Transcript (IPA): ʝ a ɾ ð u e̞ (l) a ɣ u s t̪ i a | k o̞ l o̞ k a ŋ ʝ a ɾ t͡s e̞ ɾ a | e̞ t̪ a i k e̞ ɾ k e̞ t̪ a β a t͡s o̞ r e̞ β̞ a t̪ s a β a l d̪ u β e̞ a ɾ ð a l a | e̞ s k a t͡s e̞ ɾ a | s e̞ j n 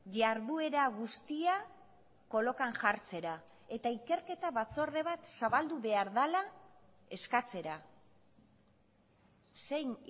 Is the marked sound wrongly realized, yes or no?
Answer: yes